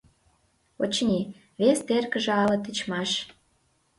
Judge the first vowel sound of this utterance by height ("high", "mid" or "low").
mid